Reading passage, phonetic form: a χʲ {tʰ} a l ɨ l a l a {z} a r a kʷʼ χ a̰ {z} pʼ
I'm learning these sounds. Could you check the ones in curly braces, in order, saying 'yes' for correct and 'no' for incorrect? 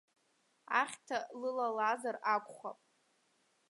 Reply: yes, yes, no

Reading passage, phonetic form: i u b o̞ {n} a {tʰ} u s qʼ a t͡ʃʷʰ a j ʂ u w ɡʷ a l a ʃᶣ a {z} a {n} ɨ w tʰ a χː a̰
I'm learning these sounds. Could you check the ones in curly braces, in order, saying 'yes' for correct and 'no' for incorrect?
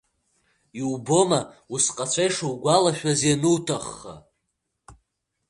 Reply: no, no, yes, yes

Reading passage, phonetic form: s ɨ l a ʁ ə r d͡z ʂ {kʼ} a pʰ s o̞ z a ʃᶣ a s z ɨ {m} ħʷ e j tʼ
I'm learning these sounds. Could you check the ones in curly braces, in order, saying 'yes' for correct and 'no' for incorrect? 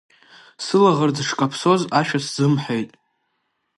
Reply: yes, yes

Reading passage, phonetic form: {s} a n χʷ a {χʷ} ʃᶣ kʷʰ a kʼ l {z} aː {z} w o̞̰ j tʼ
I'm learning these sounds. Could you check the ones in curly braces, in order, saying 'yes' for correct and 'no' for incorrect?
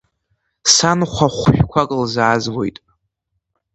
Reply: yes, yes, yes, yes

